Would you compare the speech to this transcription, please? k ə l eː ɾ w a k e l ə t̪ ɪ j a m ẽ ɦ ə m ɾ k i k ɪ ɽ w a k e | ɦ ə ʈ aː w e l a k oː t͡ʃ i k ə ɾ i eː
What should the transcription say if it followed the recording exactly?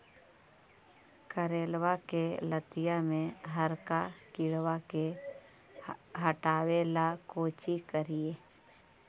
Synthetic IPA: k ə ɾ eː l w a k e l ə t̪ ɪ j a m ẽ ɦ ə ɾ k a k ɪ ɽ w a k e | ɦ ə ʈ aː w e l a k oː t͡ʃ i k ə ɾ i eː